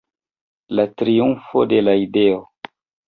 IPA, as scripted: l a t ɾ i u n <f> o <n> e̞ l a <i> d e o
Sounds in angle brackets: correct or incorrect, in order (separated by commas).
correct, incorrect, correct